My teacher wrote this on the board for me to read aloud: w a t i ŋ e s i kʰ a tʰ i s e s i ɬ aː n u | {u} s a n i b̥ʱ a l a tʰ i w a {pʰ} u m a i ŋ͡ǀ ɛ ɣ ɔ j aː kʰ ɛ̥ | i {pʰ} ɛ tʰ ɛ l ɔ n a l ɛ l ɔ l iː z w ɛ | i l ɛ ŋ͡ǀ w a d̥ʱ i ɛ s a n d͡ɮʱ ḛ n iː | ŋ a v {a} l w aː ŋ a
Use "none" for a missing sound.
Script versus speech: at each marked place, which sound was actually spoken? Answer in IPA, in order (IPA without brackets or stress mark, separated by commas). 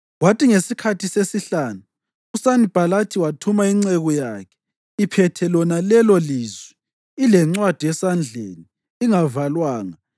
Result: u, tʰ, pʰ, a